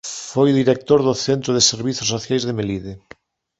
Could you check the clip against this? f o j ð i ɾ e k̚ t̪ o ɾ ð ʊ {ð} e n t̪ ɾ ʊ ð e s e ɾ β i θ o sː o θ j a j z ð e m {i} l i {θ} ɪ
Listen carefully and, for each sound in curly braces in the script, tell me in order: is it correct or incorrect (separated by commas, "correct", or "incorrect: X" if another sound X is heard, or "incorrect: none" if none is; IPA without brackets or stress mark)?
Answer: incorrect: θ, incorrect: e, incorrect: ð